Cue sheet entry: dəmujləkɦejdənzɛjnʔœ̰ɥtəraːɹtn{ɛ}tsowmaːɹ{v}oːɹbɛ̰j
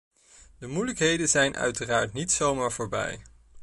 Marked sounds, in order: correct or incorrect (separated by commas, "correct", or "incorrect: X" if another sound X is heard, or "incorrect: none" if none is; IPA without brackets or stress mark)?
incorrect: i, correct